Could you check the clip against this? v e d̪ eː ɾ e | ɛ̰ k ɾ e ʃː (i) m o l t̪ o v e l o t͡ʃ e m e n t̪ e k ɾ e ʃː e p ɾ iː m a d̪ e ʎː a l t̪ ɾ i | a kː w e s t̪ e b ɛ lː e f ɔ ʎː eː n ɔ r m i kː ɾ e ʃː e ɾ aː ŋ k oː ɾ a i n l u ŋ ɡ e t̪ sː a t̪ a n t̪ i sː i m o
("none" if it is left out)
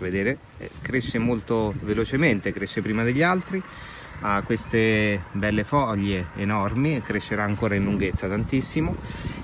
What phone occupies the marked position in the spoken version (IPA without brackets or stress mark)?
e